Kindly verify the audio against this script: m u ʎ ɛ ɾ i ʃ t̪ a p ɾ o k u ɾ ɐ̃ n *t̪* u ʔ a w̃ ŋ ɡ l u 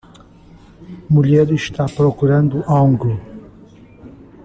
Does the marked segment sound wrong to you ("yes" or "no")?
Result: yes